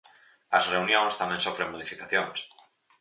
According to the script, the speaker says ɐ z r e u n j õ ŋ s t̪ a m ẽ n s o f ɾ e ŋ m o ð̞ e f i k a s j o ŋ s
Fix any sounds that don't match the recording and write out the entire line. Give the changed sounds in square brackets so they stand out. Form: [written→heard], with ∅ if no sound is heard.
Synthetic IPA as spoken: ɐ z r e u n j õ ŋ s t̪ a m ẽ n s o f ɾ e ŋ m o ð̞ [e→i] f i k a [s→θ] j o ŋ s